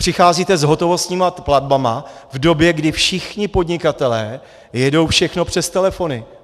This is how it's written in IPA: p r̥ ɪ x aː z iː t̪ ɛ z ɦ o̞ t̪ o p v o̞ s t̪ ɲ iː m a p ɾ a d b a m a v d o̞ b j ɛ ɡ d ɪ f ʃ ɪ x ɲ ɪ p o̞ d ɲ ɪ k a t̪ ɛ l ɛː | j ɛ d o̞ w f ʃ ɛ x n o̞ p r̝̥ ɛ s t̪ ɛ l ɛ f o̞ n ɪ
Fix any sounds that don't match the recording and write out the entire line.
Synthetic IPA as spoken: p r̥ ɪ x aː z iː t̪ ɛ z ɦ o̞ t̪ o v o̞ s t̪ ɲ iː m a p l a d b a m a v d o̞ b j ɛ ɡ d ɪ f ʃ ɪ x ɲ ɪ p o̞ d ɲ ɪ k a t̪ ɛ l ɛː | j ɛ d o̞ w f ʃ ɛ x n o̞ p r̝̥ ɛ s t̪ ɛ l ɛ f o̞ n ɪ